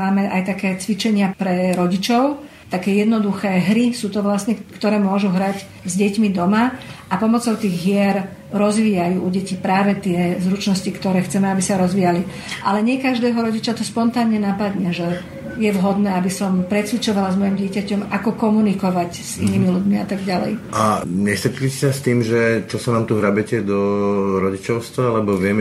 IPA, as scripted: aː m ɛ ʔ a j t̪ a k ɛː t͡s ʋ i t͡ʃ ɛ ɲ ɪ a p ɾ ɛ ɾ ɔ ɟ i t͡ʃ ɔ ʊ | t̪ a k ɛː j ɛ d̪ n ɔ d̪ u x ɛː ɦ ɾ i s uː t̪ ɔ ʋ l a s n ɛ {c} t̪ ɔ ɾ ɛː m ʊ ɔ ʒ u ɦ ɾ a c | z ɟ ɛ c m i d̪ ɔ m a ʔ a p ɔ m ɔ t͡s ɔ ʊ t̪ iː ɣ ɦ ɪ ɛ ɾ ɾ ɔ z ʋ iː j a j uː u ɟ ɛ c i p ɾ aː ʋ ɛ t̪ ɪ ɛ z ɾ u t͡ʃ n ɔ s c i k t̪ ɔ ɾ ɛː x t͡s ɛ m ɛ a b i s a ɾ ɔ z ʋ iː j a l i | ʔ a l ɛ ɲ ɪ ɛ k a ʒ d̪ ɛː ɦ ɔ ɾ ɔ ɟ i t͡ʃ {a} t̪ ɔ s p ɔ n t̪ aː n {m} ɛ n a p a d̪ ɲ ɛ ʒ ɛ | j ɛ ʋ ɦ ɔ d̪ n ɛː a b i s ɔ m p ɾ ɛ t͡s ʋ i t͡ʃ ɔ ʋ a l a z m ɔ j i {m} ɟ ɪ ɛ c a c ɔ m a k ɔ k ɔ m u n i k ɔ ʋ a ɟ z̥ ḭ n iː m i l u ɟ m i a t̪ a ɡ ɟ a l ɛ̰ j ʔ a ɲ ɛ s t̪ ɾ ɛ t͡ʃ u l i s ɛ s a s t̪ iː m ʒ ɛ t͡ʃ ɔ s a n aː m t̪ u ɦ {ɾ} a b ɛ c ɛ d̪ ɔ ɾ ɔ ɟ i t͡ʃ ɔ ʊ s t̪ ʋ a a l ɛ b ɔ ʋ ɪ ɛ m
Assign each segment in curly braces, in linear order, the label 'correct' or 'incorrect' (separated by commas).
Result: incorrect, correct, incorrect, correct, correct